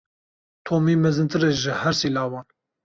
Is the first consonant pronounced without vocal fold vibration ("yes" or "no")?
yes